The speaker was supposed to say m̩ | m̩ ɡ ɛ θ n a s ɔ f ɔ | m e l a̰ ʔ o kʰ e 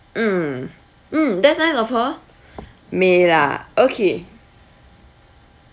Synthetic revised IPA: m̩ | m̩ d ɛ s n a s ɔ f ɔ | m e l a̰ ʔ o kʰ e

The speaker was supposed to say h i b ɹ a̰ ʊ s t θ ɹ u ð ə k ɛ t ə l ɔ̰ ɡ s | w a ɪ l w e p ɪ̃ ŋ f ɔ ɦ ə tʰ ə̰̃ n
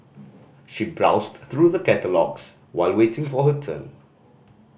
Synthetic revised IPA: ʃ i b ɹ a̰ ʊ s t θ ɹ u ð ə k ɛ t ə l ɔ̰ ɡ s | w a ɪ l w e t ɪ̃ ŋ f ɔ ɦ ə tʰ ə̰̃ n

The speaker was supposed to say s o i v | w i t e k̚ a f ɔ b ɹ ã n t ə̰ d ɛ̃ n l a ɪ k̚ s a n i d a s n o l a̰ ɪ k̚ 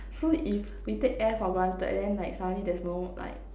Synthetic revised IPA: s o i f | w i t e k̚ ɛ f ɔ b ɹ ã n t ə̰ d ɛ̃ n l a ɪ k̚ s a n i d ɛ s n o l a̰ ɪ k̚

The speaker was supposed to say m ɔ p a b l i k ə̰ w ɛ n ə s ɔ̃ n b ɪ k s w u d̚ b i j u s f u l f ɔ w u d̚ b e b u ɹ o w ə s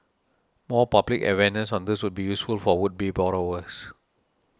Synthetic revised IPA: m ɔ p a b l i k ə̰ w ɛ n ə s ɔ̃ n d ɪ s w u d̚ b i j u s f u l f ɔ w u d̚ b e b ɔ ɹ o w ə s

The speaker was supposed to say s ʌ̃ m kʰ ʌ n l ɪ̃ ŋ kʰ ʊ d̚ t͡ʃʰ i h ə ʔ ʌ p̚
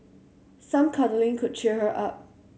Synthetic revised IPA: s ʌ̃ m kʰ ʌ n l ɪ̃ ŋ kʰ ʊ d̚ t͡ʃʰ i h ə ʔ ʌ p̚

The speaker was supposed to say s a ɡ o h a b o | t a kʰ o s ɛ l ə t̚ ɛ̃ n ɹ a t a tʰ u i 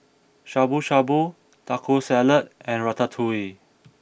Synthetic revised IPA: ʃ a b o ʃ a b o | t a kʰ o s ɛ l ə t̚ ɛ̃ n ɹ a t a tʰ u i

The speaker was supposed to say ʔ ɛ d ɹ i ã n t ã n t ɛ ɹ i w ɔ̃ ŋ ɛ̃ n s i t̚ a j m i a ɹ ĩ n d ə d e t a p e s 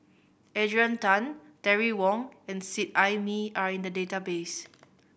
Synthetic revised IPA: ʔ ɛ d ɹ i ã n t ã n t ɛ ɹ i w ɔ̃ ŋ ɛ̃ n s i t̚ a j m i a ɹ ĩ n d ə d e t a b e s

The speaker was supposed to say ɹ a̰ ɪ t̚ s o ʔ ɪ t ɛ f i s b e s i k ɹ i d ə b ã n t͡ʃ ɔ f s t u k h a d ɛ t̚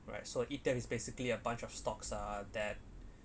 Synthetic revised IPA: ɹ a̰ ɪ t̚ s o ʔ i t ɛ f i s b e s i k l i ə b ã n t͡ʃ ɔ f s t ɔ k s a d ɛ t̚

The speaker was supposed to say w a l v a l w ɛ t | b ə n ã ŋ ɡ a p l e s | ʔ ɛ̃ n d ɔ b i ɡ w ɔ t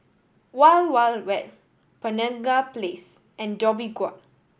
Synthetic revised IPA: w a l w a l w ɛ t | p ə n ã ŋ ɡ a p l e s | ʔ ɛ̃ n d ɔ b i ɡ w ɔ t

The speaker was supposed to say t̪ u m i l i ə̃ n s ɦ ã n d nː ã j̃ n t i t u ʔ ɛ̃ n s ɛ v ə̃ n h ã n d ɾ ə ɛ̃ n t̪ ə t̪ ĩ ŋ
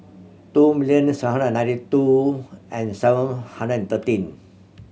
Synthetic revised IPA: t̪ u m i l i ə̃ n s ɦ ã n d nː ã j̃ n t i t u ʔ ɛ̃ n s ɛ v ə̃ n h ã n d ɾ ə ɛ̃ n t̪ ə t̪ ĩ n

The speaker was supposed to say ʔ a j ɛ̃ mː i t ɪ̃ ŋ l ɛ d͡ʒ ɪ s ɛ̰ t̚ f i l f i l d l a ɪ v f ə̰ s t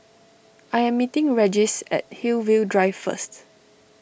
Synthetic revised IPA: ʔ a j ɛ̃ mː i t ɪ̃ ŋ ɹ ɛ d͡ʒ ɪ s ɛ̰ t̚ h i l v i l d ɹ a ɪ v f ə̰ s t

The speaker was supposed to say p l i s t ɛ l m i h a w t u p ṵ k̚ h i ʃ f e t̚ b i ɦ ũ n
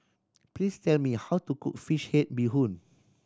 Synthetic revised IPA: p l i s t ɛ l m i h a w t u k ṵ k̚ f i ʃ h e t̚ b i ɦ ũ n

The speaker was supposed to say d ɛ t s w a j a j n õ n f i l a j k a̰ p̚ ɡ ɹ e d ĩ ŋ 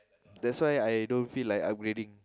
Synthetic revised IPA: d ɛ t s w a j a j d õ n f i l a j k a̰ p̚ ɡ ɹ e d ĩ ŋ

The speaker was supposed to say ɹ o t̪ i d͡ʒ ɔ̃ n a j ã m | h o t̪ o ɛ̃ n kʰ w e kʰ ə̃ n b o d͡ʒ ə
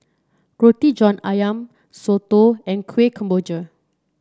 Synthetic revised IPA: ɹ o t̪ i d͡ʒ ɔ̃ n a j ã m | s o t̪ o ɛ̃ n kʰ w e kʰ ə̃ m b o d͡ʒ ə

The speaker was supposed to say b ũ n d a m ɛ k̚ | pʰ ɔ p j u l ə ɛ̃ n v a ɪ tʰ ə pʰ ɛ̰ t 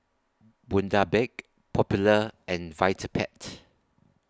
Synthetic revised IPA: b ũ n d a b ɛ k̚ | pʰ ɔ p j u l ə ɛ̃ n v a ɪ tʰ ə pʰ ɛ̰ t

